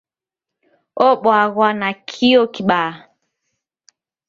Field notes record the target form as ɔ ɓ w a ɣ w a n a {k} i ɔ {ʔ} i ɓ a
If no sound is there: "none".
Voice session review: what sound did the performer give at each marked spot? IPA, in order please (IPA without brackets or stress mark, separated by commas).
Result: kʰ, k